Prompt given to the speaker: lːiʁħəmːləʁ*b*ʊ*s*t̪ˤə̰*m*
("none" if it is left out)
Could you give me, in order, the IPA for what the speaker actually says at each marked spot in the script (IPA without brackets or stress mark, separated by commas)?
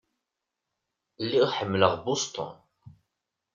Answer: b, s, n